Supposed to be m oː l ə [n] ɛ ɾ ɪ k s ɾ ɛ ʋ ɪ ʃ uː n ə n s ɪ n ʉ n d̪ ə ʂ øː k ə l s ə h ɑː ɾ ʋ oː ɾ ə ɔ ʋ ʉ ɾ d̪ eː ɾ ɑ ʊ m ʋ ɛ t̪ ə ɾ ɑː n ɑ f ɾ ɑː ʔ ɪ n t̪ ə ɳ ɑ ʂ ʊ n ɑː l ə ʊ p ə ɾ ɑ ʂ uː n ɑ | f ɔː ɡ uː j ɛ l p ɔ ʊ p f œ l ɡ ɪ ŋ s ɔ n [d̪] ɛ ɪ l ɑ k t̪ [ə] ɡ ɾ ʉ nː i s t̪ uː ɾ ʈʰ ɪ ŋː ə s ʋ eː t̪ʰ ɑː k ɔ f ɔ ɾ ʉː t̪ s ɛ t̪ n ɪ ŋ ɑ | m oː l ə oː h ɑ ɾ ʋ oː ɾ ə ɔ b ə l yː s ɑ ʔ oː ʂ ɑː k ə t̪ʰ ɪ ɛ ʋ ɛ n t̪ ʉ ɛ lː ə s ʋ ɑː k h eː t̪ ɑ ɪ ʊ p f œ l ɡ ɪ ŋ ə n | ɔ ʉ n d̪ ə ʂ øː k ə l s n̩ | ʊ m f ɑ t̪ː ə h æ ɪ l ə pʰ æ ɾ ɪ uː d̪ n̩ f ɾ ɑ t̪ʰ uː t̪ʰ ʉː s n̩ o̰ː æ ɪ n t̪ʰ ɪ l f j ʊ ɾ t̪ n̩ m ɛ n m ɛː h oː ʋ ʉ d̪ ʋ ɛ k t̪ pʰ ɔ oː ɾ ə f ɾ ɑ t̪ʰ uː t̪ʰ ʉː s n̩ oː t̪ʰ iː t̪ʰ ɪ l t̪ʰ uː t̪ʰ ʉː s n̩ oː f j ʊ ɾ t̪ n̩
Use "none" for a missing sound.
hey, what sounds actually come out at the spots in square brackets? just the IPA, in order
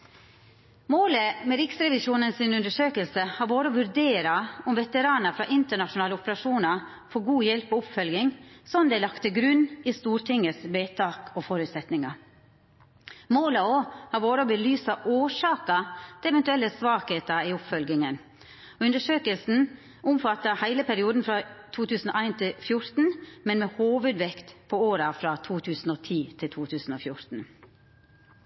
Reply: m, d̪, ə

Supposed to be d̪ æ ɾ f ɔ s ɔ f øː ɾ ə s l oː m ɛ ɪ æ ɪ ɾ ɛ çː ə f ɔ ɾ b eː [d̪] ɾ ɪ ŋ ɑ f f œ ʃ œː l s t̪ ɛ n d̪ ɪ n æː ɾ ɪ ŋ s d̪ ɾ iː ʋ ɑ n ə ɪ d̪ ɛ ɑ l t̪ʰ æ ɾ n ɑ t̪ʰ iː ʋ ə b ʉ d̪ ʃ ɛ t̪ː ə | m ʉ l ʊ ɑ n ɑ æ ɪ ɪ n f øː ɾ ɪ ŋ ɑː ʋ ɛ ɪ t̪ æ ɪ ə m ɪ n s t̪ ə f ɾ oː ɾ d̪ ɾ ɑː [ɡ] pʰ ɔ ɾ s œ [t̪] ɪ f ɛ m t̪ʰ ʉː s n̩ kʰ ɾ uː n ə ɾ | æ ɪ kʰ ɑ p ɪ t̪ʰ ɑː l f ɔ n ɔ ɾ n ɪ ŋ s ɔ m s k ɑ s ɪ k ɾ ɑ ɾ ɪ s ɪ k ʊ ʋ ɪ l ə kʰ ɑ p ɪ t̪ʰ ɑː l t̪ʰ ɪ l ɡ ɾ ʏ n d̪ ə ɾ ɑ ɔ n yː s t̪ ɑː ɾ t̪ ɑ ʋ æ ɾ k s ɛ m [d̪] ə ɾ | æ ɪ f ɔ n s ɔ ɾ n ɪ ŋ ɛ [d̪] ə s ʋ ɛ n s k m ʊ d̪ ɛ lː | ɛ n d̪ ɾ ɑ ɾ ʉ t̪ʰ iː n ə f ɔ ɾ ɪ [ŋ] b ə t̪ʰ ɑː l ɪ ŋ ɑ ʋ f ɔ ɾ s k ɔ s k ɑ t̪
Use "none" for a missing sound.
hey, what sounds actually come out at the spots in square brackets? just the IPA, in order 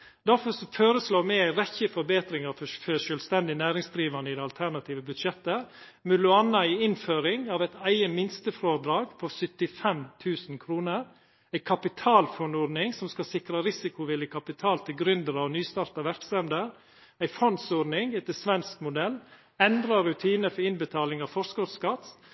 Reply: t̪, ɡ, t̪, d̪, t̪, n

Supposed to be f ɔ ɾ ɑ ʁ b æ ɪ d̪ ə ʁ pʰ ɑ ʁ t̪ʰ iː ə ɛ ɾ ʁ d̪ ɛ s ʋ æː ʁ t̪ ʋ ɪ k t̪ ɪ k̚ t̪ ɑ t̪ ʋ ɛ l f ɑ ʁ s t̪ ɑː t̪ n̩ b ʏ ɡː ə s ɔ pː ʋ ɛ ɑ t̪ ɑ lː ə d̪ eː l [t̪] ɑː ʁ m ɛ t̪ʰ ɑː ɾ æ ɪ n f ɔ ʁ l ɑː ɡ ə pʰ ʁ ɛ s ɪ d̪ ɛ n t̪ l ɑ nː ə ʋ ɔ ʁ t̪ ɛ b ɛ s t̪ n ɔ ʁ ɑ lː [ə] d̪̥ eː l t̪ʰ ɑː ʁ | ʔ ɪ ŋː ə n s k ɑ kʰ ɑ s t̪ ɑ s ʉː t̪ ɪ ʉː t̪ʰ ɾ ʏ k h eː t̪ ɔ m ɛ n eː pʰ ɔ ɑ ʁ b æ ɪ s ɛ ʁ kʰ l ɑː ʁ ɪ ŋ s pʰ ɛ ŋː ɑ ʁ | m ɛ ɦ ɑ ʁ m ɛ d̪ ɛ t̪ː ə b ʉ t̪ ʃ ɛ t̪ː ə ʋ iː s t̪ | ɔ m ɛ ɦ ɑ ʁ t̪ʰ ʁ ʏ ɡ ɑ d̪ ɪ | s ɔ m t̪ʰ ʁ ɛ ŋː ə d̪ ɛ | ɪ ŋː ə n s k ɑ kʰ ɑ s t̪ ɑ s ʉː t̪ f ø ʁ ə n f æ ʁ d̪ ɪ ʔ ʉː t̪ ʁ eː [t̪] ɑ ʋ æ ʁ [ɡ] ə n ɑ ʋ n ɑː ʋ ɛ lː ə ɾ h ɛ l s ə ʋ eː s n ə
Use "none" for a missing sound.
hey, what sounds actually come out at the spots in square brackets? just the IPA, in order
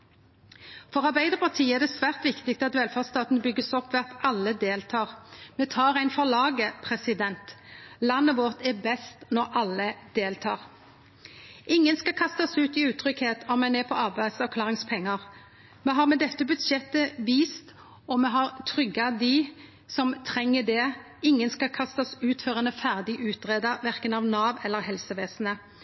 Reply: t̪ʰ, ə, d̪, k

